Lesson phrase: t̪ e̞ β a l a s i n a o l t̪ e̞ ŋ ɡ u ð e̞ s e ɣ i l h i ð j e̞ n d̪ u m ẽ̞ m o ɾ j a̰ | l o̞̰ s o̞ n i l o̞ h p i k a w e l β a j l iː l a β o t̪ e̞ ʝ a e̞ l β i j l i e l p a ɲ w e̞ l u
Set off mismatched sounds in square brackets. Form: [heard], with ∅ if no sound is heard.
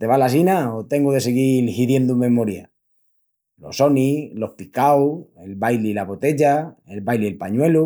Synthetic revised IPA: t̪ e̞ β a l a s i n a o [∅] t̪ e̞ ŋ ɡ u ð e̞ s e ɣ i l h i ð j e̞ n d̪ u m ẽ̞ m o ɾ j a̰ | l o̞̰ s o̞ n i l o̞ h p i k a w e l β a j l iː l a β o t̪ e̞ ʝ a e̞ l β [a] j l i e l p a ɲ w e̞ l u